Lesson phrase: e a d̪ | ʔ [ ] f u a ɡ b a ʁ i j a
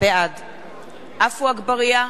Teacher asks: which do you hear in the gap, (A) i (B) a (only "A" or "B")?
B